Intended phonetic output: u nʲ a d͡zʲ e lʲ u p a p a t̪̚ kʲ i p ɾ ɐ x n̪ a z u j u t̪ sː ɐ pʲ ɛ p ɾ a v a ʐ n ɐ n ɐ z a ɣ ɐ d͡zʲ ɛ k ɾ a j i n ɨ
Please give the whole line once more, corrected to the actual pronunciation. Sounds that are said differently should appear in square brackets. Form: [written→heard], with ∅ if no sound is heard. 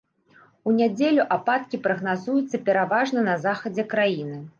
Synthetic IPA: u nʲ a d͡zʲ e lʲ u [p→ʔ] a p a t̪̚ kʲ i p ɾ ɐ [x→ɣ] n̪ a z u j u t̪ sː ɐ pʲ ɛ [p→∅] ɾ a v a ʐ n ɐ n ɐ z a [ɣ→x] ɐ d͡zʲ ɛ k ɾ a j i n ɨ